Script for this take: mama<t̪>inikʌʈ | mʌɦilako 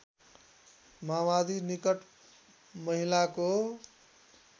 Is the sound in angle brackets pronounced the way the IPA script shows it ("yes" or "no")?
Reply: no